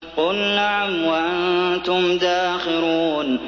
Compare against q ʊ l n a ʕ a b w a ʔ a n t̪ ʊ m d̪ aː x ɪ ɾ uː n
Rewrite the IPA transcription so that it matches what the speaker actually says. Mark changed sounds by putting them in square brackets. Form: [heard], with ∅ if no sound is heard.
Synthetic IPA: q ʊ l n a ʕ a [m] w a ʔ a n t̪ ʊ m d̪ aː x ɪ ɾ uː n